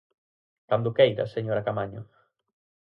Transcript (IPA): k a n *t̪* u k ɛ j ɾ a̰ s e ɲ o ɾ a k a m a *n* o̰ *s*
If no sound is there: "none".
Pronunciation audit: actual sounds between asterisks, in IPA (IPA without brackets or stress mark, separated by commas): d̪, ɲ, none